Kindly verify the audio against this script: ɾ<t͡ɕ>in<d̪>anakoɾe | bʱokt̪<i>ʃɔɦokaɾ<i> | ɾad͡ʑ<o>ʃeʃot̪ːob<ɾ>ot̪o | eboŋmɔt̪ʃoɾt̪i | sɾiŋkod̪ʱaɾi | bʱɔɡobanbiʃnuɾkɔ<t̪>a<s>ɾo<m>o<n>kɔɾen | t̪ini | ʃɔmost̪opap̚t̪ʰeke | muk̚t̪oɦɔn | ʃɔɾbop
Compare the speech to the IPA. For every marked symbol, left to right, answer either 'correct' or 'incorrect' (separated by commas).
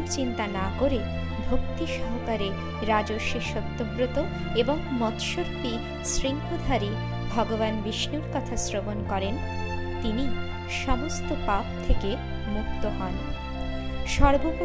correct, incorrect, correct, incorrect, correct, correct, incorrect, correct, incorrect, correct